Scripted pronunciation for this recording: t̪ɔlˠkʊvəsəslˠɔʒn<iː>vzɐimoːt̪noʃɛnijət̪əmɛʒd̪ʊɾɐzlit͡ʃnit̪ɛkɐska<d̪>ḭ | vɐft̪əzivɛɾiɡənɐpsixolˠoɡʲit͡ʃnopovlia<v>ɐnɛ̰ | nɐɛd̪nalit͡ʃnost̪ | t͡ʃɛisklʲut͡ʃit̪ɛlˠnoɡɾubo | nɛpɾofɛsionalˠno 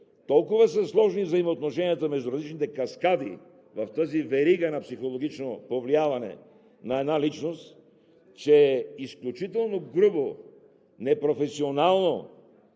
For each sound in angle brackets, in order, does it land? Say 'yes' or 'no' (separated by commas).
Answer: no, yes, yes